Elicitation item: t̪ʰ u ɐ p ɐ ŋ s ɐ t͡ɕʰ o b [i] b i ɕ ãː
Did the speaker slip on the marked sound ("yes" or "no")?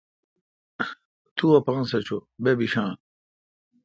yes